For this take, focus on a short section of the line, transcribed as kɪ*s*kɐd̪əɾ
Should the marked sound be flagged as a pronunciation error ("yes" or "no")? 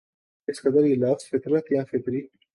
no